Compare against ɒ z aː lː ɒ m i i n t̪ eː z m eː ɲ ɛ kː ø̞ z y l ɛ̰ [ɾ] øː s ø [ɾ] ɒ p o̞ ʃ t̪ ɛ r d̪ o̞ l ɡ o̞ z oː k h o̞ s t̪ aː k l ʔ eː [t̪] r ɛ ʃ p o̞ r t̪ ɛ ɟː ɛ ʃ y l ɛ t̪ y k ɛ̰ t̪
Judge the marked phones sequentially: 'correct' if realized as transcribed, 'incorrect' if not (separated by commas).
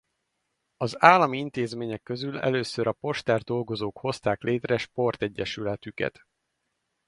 incorrect, correct, correct